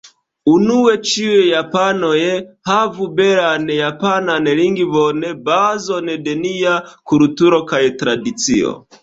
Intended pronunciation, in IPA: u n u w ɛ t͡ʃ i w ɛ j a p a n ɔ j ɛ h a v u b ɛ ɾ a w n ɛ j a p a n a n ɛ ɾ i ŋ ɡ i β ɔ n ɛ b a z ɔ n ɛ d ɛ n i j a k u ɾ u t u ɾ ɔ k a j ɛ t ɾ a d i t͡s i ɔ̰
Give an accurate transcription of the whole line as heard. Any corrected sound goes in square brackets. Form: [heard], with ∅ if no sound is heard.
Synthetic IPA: u n u w ɛ t͡ʃ i w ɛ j a p a n ɔ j ɛ h a v u b ɛ ɾ a [∅] n ɛ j a p a n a n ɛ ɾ i ŋ ɡ i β ɔ n ɛ b a z ɔ n ɛ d ɛ n i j a k u ɾ u t u ɾ ɔ k a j ɛ t ɾ a d i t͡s i ɔ̰

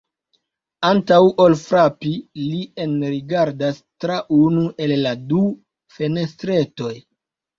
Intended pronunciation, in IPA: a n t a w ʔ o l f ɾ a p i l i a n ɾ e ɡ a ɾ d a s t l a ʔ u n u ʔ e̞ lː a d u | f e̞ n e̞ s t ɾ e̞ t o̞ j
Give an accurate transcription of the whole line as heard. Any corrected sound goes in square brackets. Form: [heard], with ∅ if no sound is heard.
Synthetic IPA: a n t a w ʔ o l f ɾ a p i l i [e] n ɾ [i] ɡ a ɾ d a s t [ɾ] a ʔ u n u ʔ e̞ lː a d u | f e̞ n e̞ s t ɾ e̞ t o̞ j

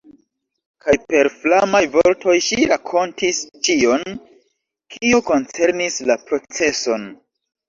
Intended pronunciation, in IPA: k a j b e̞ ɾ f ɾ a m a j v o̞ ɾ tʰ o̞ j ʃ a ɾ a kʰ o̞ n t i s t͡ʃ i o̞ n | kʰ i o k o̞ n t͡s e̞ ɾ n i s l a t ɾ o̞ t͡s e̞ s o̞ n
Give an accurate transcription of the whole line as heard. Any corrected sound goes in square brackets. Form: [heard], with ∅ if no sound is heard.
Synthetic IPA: k a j [p] e̞ ɾ f [l] a m a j v o̞ ɾ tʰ o̞ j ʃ [i] ɾ a kʰ o̞ n t i s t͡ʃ i o̞ n | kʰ i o k o̞ n t͡s e̞ ɾ n i s l a [p] ɾ o̞ t͡s e̞ s o̞ n

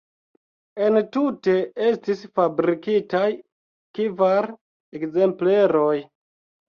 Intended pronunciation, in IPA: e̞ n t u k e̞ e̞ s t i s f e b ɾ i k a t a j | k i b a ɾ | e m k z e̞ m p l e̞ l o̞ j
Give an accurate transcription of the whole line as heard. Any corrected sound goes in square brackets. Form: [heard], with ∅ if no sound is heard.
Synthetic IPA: e̞ n t u [t] e̞ e̞ s t i s f [a] b ɾ i k [i] t a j | k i [v] a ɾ | e [∅] k z e̞ m p l e̞ [ɾ] o̞ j

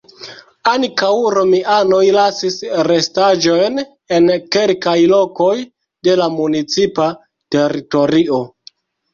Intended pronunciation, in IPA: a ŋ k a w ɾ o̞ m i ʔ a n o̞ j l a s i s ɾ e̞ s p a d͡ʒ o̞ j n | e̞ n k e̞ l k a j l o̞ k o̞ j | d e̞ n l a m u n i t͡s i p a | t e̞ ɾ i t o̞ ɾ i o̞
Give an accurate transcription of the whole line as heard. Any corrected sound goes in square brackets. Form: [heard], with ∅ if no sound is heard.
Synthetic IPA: a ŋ k a w ɾ o̞ m i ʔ a n o̞ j l a s i s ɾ e̞ s [t] a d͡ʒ o̞ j n | e̞ n k e̞ l k a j l o̞ k o̞ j | d e̞ [∅] l a m u n i t͡s i p a | t e̞ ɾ i t o̞ ɾ i o̞

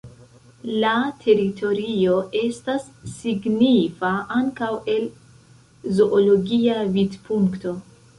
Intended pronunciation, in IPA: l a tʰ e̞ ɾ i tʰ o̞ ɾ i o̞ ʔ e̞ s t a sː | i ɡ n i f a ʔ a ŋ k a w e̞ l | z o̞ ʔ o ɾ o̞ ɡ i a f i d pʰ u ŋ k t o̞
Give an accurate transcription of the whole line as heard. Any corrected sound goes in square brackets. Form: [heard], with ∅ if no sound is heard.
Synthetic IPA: l a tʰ e̞ ɾ i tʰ o̞ ɾ i o̞ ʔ e̞ s t a sː | i ɡ n i f a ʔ a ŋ k a w e̞ l | z o̞ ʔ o [l] o̞ ɡ i a [v] i d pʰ u ŋ k t o̞

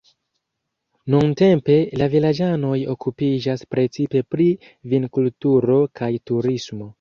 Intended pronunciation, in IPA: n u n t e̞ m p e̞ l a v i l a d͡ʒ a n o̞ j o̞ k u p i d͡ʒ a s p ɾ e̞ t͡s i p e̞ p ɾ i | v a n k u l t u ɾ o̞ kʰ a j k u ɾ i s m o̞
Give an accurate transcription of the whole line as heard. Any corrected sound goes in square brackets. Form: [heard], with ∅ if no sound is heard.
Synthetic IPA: n u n t e̞ m p e̞ l a v i l a d͡ʒ a n o̞ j o̞ k u p i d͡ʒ a s p ɾ e̞ t͡s i p e̞ p ɾ i | v [i] n k u l t u ɾ o̞ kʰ a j [t] u ɾ i s m o̞

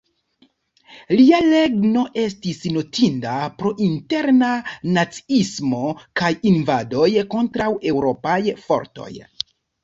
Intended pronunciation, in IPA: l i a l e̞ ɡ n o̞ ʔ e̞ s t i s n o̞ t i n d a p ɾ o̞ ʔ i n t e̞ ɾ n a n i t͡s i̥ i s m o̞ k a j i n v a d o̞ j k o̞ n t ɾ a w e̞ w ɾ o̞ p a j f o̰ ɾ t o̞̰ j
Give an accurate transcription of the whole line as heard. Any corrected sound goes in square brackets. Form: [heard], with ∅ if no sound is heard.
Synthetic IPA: l i a l e̞ ɡ n o̞ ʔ e̞ s t i s n o̞ t i n d a p ɾ o̞ ʔ i n t e̞ ɾ n a n [a] t͡s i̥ i s m o̞ k a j i n v a d o̞ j k o̞ n t ɾ a w e̞ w ɾ o̞ p a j f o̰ ɾ t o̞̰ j

